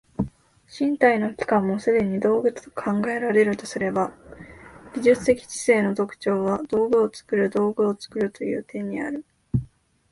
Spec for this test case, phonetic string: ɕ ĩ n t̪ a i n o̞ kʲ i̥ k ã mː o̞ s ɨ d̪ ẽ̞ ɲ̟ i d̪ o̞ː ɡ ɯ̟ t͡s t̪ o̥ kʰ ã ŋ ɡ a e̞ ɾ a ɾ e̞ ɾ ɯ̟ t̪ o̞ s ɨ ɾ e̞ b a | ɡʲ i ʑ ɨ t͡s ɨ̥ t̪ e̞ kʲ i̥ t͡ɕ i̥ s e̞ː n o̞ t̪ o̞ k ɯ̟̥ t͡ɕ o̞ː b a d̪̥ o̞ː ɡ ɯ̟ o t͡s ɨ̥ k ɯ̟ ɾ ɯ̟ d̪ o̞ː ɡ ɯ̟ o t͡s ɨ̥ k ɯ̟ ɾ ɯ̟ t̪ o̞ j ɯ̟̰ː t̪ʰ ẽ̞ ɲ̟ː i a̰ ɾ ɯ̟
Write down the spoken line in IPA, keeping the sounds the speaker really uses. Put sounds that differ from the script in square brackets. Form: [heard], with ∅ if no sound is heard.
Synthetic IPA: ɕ ĩ n t̪ a i n o̞ kʲ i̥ k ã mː o̞ s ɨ d̪ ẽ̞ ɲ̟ i d̪ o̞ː ɡ ɯ̟ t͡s t̪ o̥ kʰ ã ŋ ɡ a e̞ ɾ a ɾ e̞ ɾ ɯ̟ t̪ o̞ s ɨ ɾ e̞ b a | ɡʲ i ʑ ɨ t͡s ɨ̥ t̪ e̞ kʲ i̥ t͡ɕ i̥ s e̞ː n o̞ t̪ o̞ k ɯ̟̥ t͡ɕ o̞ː [β] a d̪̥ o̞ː ɡ ɯ̟ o t͡s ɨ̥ k ɯ̟ ɾ ɯ̟ d̪ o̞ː ɡ ɯ̟ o t͡s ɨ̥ k ɯ̟ ɾ ɯ̟ t̪ o̞ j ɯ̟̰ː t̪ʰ ẽ̞ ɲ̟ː i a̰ ɾ ɯ̟